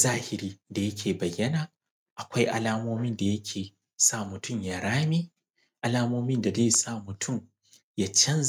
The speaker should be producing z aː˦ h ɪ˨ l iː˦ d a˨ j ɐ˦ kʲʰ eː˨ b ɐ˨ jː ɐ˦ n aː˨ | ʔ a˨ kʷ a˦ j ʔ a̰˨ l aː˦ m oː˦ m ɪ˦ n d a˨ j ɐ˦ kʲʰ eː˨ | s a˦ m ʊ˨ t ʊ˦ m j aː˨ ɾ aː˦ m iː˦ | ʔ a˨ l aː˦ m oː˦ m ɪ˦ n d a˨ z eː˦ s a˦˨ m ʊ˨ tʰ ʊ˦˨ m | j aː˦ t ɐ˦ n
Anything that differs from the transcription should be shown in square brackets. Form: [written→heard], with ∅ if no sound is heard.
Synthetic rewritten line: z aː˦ h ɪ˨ [l→ɾ] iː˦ d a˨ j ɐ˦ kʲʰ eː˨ b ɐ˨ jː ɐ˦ n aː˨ | ʔ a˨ kʷ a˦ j ʔ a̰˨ l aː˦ m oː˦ m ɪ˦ n d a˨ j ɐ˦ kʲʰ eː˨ | s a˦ m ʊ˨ t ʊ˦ m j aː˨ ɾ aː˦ m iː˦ | ʔ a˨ l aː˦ m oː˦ m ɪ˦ n d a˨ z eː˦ s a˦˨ m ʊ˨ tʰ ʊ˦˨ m | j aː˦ [t→t͡ʃ] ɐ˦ n